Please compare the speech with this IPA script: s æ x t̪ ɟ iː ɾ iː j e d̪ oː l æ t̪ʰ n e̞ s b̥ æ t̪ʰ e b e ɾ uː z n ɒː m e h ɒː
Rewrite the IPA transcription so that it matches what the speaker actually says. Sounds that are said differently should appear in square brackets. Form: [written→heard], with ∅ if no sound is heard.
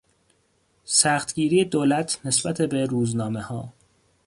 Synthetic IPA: s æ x t̪ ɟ iː ɾ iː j e d̪ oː l æ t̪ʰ n e̞ s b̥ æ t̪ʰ e b e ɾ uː z n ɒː m e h ɒː